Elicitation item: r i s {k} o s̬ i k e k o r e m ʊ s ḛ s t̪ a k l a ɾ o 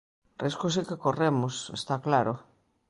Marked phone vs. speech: correct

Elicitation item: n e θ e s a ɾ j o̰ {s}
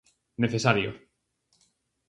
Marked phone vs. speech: incorrect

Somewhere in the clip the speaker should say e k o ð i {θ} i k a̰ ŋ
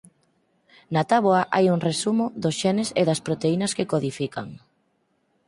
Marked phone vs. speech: incorrect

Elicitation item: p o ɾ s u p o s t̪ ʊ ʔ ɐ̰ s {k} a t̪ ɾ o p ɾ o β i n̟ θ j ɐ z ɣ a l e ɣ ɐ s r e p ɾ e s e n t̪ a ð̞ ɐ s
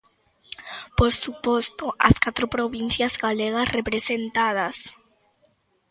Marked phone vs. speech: correct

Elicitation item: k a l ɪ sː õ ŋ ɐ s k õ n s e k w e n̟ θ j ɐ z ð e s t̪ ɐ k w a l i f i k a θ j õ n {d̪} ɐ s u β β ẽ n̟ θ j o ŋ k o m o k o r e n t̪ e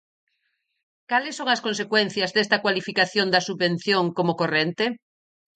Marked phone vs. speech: correct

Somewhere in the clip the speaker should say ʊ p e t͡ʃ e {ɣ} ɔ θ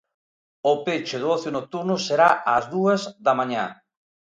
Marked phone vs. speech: incorrect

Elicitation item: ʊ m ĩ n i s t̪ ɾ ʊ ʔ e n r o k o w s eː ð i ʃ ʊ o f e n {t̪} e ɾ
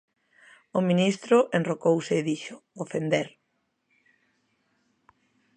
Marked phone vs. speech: incorrect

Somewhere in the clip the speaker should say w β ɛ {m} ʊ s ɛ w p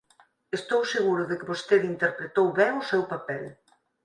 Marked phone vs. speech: incorrect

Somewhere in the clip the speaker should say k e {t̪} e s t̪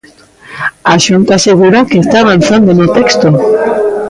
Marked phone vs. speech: incorrect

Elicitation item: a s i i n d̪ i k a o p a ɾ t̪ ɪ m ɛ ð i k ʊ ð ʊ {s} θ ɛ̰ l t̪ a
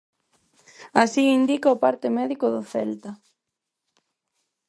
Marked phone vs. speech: incorrect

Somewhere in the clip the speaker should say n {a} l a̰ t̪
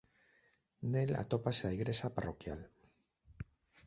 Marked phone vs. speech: incorrect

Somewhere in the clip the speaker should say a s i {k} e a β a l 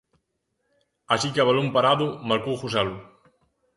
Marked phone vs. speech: correct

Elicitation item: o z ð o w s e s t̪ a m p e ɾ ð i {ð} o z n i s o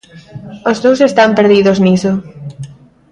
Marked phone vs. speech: correct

